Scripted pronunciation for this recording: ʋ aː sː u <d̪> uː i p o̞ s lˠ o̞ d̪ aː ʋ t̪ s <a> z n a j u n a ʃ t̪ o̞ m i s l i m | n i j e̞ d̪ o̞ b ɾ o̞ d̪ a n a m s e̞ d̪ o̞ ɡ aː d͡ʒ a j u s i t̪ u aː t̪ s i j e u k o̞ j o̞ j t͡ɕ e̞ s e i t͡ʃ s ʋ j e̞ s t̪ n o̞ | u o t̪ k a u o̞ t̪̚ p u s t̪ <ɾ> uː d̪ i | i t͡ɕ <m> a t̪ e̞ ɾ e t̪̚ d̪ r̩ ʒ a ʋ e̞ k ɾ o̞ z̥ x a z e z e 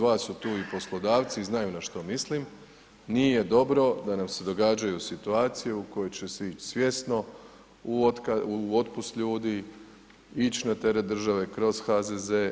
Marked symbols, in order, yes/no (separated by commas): no, no, no, no